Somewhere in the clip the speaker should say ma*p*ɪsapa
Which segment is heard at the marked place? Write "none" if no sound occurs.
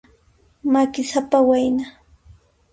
k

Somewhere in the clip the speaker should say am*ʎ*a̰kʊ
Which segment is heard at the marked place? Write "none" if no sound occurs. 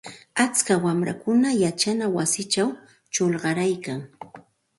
ɾ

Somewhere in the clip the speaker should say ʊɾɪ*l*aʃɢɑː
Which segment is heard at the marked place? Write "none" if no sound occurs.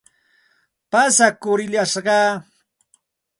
ʎ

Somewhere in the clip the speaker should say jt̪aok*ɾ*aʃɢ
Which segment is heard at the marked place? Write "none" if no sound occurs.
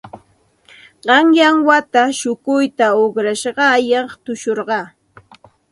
ɾ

